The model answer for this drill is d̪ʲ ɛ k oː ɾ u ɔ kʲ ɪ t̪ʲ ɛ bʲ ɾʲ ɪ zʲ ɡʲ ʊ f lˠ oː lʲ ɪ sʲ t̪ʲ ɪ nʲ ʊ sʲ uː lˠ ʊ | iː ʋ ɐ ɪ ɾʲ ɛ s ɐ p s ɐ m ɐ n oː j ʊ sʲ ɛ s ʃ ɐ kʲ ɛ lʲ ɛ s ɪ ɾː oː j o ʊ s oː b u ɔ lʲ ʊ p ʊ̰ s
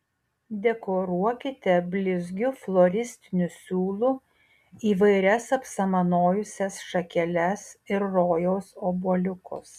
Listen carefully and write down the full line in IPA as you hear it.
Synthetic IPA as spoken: d̪ʲ ɛ k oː ɾ u ɔ kʲ ɪ t̪ʲ ɛ bʲ lʲ ɪ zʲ ɡʲ ʊ f lˠ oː ɾʲ ɪ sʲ t̪ʲ ɪ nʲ ʊ sʲ uː lˠ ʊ | iː ʋ ɐ ɪ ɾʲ ɛ s ɐ p s ɐ m ɐ n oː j ʊ sʲ ɛ s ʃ ɐ kʲ ɛ lʲ ɛ s ɪ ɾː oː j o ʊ s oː b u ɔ lʲ ʊ k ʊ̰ s